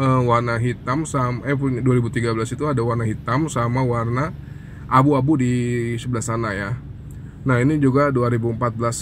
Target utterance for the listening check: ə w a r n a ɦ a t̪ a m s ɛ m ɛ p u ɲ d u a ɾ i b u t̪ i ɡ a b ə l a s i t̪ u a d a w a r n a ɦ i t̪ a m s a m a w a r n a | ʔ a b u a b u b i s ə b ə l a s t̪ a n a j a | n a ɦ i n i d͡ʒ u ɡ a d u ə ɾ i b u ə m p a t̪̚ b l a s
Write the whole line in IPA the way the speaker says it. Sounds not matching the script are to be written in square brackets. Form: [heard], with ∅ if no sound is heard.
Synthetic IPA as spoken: ə w a r n a ɦ [i] t̪ a m s [a] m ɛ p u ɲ d u a ɾ i b u t̪ i ɡ a b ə l a s i t̪ u a d a w a r n a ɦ i t̪ a m s a m a w a r n a | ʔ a b u a b u [d] i s ə b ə l a s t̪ a n a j a | n a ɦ i n i d͡ʒ u ɡ a d u [a] ɾ i b u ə m p a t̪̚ b l a s

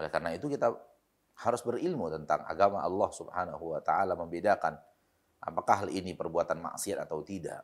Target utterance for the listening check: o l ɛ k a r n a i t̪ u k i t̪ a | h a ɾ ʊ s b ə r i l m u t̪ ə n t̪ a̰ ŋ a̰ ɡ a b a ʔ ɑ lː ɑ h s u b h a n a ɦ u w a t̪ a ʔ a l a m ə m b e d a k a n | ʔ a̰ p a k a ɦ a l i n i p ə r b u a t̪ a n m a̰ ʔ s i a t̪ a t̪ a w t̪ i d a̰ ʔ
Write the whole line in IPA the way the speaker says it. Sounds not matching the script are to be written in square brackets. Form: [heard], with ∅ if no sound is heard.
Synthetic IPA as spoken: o l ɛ k a r n a i t̪ u k i t̪ a | h a ɾ ʊ s b ə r i l m u t̪ ə n t̪ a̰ ŋ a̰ ɡ a [m] a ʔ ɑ lː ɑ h s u b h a n a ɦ u w a t̪ a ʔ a l a m ə m b e d a k a n | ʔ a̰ p a k a ɦ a l i n i p ə r b u a t̪ a n m a̰ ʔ s i a t̪ a t̪ a w t̪ i d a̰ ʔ

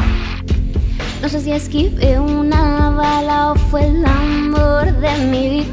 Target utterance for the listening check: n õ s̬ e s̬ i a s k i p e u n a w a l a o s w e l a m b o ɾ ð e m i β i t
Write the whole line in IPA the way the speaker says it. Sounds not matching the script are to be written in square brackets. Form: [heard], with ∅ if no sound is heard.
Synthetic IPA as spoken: n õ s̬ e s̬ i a s k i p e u n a [β] a l a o [f] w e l a m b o ɾ ð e m i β i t

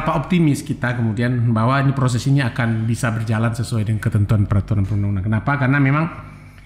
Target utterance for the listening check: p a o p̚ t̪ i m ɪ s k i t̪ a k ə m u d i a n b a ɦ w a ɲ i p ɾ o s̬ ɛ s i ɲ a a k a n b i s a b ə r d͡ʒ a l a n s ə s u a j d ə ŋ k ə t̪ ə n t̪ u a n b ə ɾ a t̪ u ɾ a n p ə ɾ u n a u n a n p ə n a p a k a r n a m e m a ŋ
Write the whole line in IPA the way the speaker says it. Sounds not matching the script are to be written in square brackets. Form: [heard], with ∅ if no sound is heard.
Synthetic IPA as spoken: p a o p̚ t̪ i m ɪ s k i t̪ a k ə m u d i a n b a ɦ w a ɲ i p ɾ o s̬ ɛ s i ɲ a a k a n b i s a b ə r d͡ʒ a l a n s ə s u a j d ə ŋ k ə t̪ ə n t̪ u a n [p] ə ɾ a t̪ u ɾ a n p ə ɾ u n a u n a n [k] ə n a p a k a r n a m e m a ŋ

